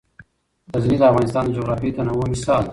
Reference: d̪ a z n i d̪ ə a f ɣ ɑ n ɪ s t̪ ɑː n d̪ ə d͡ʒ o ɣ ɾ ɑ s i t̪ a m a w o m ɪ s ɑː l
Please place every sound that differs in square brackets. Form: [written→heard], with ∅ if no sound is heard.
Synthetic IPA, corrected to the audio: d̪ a z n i d̪ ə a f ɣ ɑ n ɪ s t̪ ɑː n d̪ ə d͡ʒ o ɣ ɾ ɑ [s→f] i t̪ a [m→n] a w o m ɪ s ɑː l